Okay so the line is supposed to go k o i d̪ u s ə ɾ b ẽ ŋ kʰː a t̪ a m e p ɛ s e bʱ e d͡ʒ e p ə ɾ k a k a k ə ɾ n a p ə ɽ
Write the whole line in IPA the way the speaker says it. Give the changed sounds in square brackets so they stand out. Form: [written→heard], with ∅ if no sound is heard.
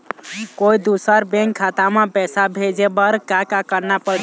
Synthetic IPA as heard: k o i d̪ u s ə ɾ b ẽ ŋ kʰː a t̪ a m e p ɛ s [e→a] bʱ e d͡ʒ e [p→b] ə ɾ k a k a k ə ɾ n a p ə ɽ